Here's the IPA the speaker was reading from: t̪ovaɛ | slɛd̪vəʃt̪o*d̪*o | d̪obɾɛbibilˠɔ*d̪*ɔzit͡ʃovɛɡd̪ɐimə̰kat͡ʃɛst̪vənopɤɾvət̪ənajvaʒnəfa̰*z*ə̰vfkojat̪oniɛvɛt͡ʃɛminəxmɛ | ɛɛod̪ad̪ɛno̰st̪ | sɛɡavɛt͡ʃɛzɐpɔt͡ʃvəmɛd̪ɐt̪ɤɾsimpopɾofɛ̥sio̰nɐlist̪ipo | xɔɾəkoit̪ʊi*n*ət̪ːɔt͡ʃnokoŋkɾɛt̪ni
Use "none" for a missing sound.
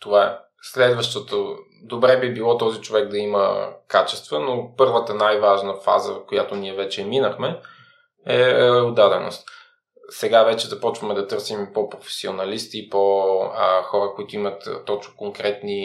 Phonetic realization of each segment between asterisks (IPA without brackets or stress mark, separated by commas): t̪, t̪, z, m